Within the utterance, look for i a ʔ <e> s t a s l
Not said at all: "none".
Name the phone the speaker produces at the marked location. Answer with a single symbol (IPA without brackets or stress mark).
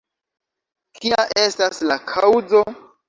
e